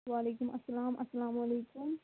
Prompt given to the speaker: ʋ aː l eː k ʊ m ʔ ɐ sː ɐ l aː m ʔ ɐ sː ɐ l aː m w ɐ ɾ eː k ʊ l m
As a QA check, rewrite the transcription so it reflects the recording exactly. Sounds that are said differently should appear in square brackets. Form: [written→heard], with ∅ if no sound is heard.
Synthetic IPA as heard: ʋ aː l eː k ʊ m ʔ ɐ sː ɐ l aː m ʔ ɐ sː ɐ l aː m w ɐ [ɾ→l] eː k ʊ [l→∅] m